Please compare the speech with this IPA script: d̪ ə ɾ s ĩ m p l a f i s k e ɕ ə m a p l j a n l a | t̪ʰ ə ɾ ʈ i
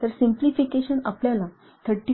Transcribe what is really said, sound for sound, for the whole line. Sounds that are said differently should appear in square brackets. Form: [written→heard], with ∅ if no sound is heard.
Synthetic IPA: [d̪→t̪] ə ɾ s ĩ m p l [a→i] f i [s→∅] k e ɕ ə [m→n] a p l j a [n→∅] l a | t̪ʰ ə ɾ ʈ i